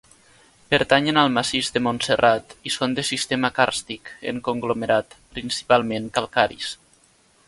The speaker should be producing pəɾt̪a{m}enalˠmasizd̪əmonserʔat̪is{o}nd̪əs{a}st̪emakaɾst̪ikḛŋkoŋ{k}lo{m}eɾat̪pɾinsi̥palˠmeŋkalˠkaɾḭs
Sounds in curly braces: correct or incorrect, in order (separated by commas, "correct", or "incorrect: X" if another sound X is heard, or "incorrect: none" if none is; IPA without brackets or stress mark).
incorrect: ɲ, correct, incorrect: i, incorrect: ɡ, correct